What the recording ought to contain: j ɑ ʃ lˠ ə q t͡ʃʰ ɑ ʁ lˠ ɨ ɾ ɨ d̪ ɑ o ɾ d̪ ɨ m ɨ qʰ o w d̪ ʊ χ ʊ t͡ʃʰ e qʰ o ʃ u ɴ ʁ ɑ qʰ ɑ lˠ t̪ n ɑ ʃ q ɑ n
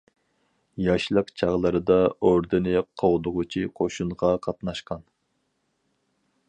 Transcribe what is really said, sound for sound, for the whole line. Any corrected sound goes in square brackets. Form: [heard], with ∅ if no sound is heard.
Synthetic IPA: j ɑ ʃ lˠ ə q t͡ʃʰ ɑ ʁ lˠ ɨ ɾ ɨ d̪ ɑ o ɾ d̪ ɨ [n] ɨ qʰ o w d̪ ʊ [ʁ] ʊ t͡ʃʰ [i] qʰ o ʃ u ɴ ʁ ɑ qʰ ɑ [∅] t̪ n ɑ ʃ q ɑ n